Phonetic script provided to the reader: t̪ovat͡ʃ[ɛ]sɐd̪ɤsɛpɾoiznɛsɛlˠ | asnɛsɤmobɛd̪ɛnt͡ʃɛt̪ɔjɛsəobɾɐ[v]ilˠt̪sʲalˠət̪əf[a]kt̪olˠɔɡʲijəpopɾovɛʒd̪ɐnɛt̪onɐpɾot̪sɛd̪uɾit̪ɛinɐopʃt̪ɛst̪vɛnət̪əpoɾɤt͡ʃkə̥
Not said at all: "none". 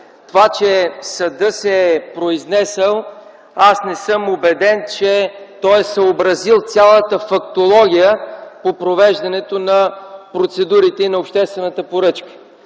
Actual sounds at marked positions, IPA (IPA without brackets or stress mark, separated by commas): ɛ, z, ɐ